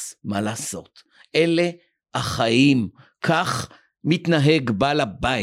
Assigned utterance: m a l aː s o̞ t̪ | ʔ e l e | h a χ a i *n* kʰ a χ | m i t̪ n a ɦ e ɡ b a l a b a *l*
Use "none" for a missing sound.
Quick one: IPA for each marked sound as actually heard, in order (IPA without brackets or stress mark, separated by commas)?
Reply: m, none